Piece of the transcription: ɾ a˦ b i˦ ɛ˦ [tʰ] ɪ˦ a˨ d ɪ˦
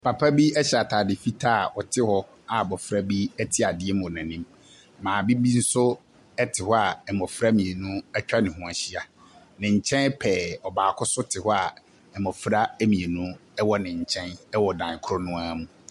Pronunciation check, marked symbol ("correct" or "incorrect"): correct